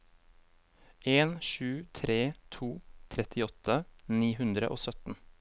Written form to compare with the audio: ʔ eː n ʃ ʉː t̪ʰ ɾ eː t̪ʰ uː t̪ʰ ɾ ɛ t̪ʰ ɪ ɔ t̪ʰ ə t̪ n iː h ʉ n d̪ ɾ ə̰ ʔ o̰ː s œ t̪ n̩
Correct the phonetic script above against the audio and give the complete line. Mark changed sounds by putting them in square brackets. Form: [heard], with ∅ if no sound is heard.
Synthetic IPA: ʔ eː n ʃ ʉː t̪ʰ ɾ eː t̪ʰ uː t̪ʰ ɾ ɛ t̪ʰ ɪ ɔ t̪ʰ ə [∅] n iː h ʉ n d̪ ɾ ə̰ ʔ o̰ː s œ t̪ n̩